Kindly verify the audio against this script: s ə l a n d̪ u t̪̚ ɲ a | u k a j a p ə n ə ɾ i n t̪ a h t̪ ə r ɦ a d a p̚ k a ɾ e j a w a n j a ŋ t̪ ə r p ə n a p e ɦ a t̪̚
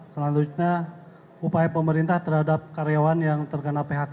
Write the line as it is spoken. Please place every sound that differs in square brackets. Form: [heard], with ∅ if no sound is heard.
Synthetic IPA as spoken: s ə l a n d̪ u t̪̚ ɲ a | u [p] a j a p ə [m] ə ɾ i n t̪ a h t̪ ə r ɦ a d a p̚ k a ɾ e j a w a n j a ŋ t̪ ə r [k] ə n a p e ɦ a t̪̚